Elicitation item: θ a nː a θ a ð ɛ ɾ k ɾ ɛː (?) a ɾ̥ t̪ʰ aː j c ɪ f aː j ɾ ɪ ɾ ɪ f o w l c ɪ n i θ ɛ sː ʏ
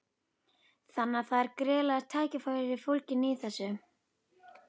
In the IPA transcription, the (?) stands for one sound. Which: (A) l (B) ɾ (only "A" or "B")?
A